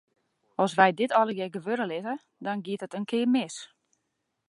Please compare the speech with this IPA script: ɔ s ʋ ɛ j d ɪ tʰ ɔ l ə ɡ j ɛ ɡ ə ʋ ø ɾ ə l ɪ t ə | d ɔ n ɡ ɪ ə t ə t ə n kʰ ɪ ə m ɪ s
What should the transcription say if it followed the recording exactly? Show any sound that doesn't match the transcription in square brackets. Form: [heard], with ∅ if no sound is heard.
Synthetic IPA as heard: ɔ s ʋ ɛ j d ɪ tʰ ɔ l ə ɡ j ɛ ɡ ə ʋ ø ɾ ə l ɪ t ə | d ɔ n ɡ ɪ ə t ə t ə n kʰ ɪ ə m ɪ s